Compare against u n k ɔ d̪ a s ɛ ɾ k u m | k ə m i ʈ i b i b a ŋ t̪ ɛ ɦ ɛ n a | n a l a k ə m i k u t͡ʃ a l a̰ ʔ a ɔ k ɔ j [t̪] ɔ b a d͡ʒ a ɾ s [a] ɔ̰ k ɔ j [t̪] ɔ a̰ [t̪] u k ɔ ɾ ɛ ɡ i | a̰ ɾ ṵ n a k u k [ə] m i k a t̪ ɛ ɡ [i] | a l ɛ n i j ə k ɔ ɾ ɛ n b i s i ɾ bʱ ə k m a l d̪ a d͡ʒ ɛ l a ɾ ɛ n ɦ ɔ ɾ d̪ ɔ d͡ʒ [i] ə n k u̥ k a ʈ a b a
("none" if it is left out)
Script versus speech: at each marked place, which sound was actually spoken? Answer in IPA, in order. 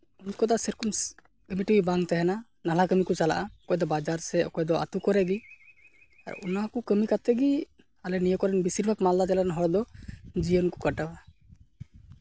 d̪, ɛ, d̪, t̪, ə, i, i

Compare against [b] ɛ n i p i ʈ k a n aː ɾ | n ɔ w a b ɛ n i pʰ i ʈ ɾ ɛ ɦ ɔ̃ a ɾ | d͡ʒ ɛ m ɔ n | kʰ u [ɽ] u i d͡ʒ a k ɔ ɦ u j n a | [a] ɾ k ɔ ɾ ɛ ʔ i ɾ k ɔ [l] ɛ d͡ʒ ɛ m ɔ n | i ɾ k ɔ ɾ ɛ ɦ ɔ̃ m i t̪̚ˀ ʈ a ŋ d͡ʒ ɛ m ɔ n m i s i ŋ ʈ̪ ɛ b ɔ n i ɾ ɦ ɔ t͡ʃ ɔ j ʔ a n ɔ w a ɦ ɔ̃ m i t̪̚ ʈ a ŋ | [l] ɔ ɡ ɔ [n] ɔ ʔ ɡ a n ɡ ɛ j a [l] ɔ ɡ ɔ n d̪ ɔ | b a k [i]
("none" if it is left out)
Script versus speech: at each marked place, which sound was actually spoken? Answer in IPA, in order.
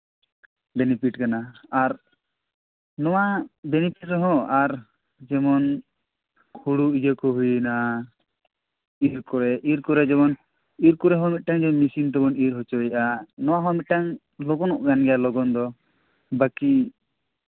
b, ɽ, i, ɾ, l, n, l, i

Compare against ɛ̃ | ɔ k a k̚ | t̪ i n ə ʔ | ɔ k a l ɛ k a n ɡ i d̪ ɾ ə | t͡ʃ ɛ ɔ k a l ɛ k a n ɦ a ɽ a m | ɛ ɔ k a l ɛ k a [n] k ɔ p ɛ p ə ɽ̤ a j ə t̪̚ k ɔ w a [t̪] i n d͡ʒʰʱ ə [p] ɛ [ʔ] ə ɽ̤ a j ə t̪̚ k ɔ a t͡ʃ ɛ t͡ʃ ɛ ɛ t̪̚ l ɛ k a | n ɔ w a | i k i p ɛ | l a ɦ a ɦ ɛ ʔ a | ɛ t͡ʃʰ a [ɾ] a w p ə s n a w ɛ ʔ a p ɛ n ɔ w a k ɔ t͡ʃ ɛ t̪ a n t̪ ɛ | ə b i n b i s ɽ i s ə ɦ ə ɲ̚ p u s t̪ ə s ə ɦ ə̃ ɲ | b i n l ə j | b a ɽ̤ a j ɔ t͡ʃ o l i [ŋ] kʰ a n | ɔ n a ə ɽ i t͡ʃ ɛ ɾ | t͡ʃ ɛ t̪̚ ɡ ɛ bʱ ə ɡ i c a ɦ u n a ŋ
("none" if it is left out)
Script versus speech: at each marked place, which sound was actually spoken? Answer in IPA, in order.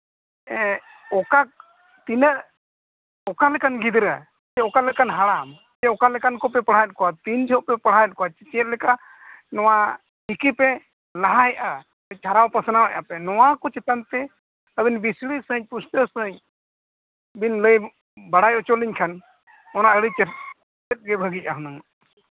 n, t̪, p, p, ɾ, ɲ

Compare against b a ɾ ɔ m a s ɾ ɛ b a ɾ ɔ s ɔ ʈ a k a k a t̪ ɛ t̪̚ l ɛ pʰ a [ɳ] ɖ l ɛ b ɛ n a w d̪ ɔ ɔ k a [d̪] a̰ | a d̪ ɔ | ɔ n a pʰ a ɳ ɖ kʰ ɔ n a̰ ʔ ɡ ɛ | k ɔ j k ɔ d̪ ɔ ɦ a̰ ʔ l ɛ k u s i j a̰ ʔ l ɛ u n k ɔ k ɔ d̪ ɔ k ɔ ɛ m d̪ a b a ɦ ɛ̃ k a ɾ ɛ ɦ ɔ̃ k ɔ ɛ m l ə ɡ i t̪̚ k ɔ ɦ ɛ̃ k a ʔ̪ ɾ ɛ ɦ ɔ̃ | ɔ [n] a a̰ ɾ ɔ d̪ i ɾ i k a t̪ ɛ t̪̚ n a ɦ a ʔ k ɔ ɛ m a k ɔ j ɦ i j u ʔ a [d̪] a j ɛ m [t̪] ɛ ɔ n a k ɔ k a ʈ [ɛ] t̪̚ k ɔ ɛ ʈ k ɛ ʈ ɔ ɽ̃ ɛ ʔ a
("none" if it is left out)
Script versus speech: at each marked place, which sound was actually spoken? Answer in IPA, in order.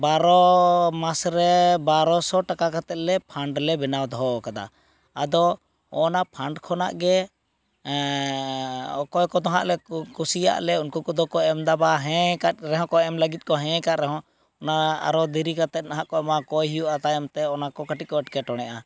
ɳ, d̪, n, t̪, t̪, i

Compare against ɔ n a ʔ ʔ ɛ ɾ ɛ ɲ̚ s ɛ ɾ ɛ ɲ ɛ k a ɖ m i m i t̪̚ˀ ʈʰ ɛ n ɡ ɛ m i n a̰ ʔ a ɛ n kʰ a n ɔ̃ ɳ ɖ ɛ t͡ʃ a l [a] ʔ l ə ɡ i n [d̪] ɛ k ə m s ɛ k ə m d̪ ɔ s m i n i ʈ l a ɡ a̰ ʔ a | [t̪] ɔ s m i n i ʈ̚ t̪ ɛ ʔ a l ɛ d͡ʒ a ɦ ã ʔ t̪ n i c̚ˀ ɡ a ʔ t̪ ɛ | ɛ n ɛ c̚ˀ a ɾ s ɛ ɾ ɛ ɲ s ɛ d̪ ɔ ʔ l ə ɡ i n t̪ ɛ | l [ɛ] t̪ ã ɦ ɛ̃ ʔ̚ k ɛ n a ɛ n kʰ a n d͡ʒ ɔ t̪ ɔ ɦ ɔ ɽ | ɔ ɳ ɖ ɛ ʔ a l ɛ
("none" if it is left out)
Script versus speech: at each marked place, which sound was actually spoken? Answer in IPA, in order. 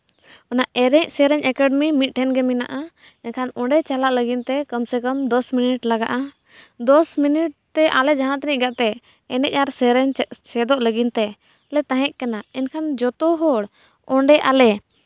a, t̪, d̪, ɛ

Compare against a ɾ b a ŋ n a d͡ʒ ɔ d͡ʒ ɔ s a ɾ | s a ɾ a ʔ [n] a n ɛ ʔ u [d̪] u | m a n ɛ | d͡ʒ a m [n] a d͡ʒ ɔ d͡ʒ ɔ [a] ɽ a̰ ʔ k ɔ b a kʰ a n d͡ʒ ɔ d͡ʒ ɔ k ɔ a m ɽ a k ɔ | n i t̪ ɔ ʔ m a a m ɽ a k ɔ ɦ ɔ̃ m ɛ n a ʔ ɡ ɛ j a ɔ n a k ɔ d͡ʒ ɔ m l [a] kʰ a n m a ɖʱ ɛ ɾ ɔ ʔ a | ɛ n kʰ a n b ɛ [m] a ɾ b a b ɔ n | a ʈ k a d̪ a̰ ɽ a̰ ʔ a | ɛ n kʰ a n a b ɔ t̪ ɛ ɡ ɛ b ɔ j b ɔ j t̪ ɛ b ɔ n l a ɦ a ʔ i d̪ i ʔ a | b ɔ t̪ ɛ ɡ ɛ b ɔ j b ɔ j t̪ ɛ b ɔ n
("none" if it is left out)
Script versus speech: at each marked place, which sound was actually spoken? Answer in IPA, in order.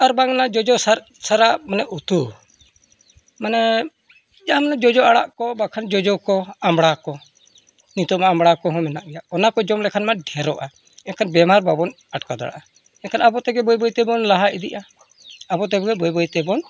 m, t̪, n, a, ɛ, m

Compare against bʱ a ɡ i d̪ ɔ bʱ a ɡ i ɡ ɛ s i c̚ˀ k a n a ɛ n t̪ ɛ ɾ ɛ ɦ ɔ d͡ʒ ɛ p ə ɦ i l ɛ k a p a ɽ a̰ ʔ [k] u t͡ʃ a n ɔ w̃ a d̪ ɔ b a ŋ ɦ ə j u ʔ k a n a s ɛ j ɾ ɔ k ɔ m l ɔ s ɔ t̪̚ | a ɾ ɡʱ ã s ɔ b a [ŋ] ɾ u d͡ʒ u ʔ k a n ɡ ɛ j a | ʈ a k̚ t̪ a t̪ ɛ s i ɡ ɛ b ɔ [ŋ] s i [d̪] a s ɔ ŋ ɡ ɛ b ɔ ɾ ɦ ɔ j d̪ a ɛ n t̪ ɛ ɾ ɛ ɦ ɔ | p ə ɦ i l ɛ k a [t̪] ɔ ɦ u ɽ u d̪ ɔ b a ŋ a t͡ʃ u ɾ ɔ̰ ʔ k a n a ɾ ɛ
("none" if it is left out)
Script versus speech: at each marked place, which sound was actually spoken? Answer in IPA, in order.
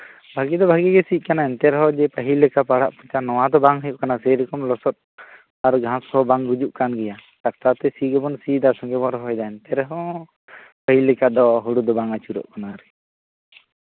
p, ŋ, n, d̪, d̪

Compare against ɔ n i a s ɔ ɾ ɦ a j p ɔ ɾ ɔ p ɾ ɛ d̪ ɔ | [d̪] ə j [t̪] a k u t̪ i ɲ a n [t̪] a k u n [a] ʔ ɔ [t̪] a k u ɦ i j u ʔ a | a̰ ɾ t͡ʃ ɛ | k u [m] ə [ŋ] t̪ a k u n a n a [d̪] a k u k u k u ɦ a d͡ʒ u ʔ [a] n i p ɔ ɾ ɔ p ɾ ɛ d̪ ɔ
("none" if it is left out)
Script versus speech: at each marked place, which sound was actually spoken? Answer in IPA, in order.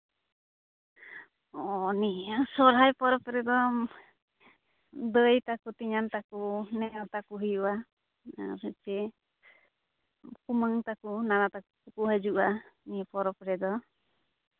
d̪, t̪, t̪, ɛ, t̪, m, ŋ, t̪, a

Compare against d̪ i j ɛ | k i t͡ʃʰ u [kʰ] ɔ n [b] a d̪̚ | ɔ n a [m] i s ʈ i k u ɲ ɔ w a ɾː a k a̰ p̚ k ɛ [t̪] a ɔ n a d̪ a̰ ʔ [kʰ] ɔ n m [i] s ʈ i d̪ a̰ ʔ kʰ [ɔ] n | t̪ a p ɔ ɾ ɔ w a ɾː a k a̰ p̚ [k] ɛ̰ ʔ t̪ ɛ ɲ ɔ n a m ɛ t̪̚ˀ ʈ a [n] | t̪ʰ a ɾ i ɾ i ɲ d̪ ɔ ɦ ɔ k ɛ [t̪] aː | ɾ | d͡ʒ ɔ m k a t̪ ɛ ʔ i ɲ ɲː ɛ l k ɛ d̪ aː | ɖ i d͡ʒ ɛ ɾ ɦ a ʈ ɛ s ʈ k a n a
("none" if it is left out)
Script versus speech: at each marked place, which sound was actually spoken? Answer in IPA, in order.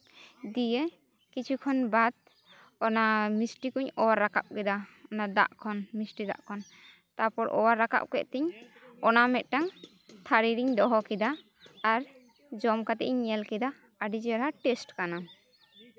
kʰ, b, m, d̪, kʰ, i, ɔ, k, ŋ, d̪

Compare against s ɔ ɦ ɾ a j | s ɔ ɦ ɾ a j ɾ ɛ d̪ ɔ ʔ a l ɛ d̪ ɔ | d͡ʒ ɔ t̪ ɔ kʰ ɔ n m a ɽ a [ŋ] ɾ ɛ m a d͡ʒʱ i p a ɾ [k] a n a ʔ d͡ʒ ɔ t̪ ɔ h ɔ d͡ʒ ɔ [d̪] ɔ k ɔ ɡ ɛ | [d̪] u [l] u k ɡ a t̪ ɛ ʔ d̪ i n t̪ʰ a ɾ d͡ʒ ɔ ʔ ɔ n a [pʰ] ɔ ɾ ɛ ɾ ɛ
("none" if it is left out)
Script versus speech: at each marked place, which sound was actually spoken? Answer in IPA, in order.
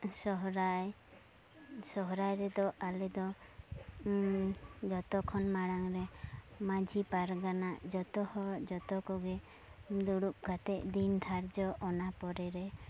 ŋ, ɡ, t̪, d̪, ɽ, p

